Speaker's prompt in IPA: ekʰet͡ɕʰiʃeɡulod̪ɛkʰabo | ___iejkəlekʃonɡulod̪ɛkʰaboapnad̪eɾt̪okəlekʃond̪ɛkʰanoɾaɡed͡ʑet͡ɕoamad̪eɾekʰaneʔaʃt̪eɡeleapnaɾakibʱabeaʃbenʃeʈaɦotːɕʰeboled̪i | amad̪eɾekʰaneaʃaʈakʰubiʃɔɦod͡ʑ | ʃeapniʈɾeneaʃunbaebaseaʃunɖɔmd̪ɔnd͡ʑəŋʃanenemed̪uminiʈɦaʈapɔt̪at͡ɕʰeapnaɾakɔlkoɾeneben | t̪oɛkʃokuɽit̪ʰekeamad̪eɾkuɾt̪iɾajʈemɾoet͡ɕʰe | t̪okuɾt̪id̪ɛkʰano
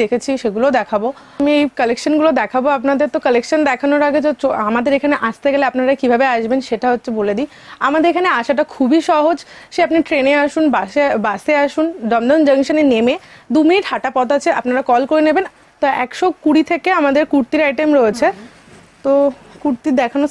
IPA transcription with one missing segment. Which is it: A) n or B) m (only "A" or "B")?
B